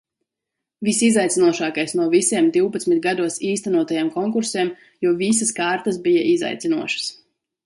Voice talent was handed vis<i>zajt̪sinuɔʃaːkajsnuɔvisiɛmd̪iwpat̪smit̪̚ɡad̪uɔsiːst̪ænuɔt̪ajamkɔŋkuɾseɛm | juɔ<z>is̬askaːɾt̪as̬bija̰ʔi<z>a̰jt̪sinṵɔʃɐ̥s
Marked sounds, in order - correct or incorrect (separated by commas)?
correct, incorrect, correct